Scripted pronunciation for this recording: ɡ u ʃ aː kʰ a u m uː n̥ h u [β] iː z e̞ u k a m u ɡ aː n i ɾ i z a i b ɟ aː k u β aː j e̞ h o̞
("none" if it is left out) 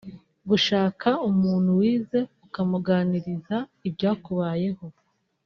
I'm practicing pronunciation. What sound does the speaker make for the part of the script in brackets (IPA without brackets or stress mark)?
w